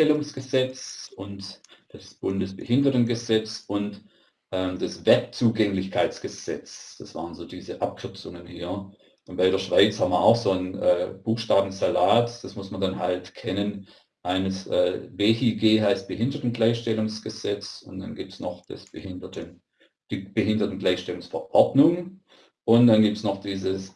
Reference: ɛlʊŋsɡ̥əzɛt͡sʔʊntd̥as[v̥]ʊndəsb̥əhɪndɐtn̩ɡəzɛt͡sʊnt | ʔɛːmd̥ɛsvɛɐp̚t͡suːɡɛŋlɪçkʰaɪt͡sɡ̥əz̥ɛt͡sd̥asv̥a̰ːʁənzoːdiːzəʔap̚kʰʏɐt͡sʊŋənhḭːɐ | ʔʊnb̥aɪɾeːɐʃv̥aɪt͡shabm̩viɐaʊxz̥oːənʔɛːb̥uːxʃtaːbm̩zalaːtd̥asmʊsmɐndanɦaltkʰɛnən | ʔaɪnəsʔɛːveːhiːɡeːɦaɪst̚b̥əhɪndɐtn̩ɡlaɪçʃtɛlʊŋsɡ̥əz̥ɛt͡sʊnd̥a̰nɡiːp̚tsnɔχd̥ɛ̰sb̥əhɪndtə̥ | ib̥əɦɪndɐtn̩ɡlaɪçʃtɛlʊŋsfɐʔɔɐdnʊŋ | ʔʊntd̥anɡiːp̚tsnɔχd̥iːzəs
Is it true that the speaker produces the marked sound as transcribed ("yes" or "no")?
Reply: no